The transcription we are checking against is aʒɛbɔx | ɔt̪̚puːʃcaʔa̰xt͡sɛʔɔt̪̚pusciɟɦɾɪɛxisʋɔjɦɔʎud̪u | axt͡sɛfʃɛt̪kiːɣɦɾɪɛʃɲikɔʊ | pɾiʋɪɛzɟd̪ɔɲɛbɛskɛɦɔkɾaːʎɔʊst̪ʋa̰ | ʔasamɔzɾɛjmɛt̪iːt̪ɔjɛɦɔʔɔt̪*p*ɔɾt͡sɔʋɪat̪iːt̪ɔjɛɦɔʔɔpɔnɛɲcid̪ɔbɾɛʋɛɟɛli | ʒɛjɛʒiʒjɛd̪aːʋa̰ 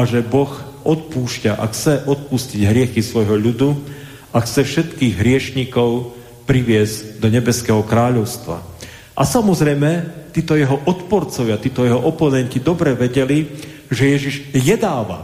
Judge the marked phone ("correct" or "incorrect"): correct